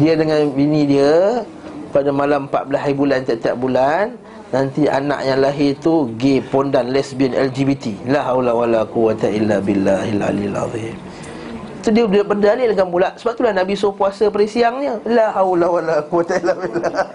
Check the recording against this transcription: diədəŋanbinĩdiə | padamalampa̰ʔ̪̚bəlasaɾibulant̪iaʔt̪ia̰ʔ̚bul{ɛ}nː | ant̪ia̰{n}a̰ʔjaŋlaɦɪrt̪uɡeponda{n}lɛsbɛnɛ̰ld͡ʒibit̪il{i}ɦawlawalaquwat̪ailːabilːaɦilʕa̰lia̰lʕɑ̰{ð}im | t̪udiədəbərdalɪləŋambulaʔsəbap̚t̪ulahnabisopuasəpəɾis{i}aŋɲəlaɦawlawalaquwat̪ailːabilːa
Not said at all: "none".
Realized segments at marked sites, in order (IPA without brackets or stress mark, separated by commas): a, n, n, a, ð, i